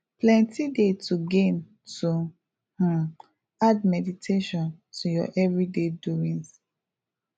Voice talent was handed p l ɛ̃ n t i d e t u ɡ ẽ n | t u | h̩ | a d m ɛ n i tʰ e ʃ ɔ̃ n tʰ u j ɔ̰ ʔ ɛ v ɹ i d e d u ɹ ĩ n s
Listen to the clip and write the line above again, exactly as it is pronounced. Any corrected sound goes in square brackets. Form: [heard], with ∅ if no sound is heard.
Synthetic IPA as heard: p l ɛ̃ n t i d e t u ɡ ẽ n | t u | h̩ | a d m ɛ [d] i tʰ e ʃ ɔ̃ n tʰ u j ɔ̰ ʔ ɛ v ɹ i d e d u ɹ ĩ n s

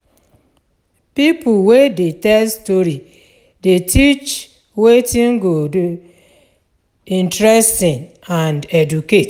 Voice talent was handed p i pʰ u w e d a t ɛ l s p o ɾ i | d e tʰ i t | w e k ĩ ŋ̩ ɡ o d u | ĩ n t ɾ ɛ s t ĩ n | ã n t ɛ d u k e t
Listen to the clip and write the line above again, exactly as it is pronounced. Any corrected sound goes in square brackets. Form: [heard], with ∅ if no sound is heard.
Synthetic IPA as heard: p i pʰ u w e d [e] t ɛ l s [t] o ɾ i | d e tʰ i [t͡ʃ] | w e [t] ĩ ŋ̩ ɡ o d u | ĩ n t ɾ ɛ s t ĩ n | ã n [d] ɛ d u k e t

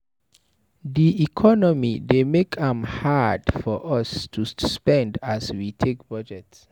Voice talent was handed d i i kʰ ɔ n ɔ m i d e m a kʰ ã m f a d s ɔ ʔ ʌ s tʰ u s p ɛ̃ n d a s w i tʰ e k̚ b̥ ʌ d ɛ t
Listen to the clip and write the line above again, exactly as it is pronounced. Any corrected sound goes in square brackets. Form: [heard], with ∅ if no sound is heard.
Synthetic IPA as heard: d i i kʰ ɔ n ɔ m i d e m [e] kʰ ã m [h] a d [f] ɔ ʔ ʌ s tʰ u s p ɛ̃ n d a s w i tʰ e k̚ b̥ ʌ [d͡ʒ] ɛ t

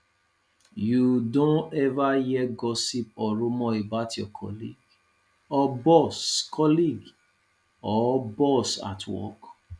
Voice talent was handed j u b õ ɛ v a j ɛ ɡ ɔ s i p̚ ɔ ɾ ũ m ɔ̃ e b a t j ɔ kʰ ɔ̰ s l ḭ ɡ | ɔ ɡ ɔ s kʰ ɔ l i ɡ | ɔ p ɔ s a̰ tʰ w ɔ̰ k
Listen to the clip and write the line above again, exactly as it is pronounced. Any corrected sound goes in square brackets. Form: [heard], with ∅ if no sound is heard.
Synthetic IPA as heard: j u [d] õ ɛ v a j ɛ ɡ ɔ s i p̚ ɔ ɾ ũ m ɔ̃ e b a t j ɔ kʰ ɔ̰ [∅] l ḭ ɡ | ɔ [b] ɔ s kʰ ɔ l i ɡ | ɔ [b] ɔ s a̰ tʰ w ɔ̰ k

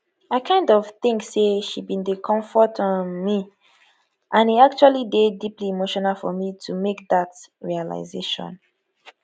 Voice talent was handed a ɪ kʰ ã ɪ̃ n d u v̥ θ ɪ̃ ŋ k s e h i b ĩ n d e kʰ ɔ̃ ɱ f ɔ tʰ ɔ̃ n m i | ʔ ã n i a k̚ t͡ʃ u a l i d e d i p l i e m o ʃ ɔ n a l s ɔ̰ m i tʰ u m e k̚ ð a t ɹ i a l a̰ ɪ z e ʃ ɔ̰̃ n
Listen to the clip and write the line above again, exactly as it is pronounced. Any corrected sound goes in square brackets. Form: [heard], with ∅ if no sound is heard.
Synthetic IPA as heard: a ɪ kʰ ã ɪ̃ n d [ɔ] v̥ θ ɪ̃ ŋ k s e [ʃ] i b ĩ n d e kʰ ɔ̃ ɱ f ɔ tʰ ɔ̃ n m i | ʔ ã n i a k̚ t͡ʃ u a l i d e d i p l i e m o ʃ ɔ n a l [f] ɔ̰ m i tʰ u m e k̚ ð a t ɹ i a l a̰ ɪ z e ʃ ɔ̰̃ n

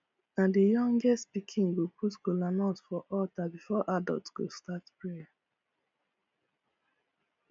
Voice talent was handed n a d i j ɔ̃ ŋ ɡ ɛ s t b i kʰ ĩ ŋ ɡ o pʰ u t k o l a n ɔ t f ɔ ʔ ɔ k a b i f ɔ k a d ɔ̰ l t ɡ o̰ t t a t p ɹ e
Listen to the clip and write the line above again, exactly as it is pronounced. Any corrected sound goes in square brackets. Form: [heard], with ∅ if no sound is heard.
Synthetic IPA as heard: n a d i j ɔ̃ ŋ ɡ ɛ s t [p] i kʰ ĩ ŋ ɡ o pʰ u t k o l a n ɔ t f ɔ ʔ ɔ [t] a b i f ɔ [ʔ] a d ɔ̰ l t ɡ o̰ [s] t a t p ɹ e

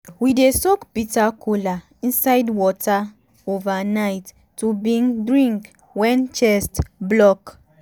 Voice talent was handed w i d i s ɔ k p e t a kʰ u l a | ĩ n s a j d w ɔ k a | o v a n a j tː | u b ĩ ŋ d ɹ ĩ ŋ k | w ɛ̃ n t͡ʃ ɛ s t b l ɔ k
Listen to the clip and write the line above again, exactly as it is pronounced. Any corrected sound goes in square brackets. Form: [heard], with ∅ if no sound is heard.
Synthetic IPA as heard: w i d [e] s ɔ k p [i] t a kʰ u l a | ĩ n s a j d w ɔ [t] a | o v a n a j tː | u b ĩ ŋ d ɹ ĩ ŋ k | w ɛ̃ n t͡ʃ ɛ s t b l ɔ k

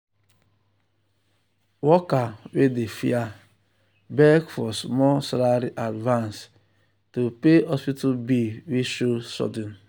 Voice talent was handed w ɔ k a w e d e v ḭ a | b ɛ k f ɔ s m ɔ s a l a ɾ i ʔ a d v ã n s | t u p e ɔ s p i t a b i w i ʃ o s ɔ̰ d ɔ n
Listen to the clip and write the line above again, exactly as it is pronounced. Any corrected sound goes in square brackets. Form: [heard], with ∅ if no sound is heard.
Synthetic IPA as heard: w ɔ k a w e d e [f] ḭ a | b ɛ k f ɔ s m ɔ s a l a ɾ i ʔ a d v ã n s | t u p e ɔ s p i t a b i w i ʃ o s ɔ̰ d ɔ n

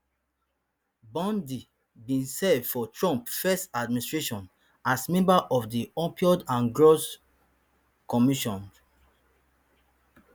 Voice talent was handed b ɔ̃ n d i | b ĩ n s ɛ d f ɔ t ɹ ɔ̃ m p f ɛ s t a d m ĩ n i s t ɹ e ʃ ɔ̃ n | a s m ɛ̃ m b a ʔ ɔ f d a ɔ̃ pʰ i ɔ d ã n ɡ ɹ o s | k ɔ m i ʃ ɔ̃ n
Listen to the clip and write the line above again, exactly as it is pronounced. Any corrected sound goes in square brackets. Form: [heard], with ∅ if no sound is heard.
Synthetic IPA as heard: b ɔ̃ n d i | b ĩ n s ɛ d f ɔ t ɹ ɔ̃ m p f ɛ s t a d m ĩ n i s t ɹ e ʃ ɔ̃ n | a s m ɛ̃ m b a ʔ ɔ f d [i] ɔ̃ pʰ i ɔ d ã n ɡ ɹ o s | k ɔ m i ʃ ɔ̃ n

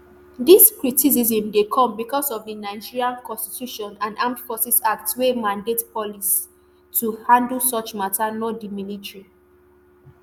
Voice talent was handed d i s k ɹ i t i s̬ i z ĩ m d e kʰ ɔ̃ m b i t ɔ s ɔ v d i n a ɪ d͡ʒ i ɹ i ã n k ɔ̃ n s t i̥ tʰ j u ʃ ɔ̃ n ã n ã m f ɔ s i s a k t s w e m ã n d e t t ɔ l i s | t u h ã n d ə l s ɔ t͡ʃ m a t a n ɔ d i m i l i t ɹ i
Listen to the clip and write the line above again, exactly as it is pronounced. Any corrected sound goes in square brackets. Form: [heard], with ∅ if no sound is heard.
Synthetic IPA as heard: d i s k ɹ i t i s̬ i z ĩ m d e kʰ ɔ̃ m b i [k] ɔ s ɔ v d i n a ɪ d͡ʒ i ɹ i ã n k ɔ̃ n s t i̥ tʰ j u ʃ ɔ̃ n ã n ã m f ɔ s i s a k t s w e m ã n d e t [p] ɔ l i s | t u h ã n d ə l s ɔ t͡ʃ m a t a n ɔ d i m i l i t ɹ i

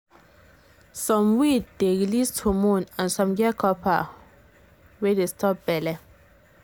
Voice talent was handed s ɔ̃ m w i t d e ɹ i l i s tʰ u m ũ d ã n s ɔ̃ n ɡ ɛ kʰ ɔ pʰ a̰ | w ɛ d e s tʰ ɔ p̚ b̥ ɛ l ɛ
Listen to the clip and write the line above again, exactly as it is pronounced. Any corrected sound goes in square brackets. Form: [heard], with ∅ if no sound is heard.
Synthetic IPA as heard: s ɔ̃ m w i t d e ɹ i l i s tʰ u m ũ [n] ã n s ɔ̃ [m] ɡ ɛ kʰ ɔ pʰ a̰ | w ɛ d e s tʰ ɔ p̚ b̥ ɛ l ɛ

